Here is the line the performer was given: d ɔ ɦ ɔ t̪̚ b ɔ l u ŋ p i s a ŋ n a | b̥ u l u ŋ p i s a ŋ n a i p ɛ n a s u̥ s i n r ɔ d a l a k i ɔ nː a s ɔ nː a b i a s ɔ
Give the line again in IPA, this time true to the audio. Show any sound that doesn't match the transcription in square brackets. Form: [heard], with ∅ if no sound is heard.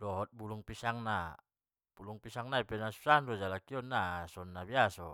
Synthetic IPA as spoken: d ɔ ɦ ɔ t̪̚ b [u] l u ŋ p i s a ŋ n a | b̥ u l u ŋ p i s a ŋ n a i p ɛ n a s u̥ s [a] n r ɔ [d͡ʒ] a l a k i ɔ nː a s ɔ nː a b i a s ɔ